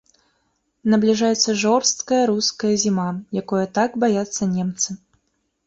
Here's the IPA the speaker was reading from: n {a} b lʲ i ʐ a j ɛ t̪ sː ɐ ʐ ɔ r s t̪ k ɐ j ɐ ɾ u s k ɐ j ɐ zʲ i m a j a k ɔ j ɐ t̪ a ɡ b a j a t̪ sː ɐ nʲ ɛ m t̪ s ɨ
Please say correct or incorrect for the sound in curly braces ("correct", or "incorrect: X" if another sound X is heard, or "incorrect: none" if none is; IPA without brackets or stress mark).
incorrect: ɐ